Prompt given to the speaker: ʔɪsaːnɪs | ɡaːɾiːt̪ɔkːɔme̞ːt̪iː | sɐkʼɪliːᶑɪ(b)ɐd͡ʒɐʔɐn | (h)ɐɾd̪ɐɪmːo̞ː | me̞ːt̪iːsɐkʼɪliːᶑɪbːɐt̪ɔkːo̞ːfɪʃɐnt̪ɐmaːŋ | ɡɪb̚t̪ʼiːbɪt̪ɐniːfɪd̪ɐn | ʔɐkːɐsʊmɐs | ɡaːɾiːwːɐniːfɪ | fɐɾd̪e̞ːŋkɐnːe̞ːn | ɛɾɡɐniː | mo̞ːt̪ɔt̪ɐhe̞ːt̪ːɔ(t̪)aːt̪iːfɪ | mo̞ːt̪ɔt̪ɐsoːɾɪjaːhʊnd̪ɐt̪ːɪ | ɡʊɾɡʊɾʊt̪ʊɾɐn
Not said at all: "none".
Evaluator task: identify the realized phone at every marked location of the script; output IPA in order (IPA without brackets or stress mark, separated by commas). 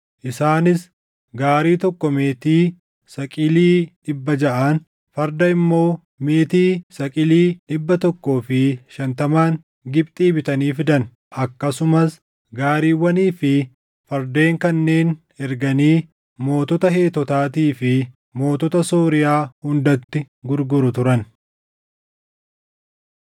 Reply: bː, f, t̪